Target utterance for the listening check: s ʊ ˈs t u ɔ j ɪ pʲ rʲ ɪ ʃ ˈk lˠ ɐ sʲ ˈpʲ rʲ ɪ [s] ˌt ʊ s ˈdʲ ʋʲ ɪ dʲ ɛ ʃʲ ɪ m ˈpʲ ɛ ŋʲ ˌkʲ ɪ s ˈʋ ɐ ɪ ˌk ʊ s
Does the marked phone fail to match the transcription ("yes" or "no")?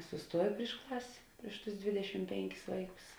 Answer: yes